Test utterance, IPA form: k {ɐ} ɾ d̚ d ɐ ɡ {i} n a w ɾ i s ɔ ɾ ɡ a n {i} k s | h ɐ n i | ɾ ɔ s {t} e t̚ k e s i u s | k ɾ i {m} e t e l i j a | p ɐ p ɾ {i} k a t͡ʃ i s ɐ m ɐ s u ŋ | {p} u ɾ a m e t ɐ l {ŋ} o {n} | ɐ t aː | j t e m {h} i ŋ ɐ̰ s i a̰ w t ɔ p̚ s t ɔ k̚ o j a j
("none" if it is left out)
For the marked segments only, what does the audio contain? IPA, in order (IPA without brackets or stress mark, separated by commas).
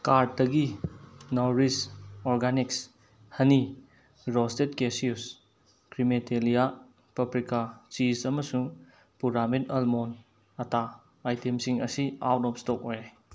a, i, i, t, m, i, p, m, n, s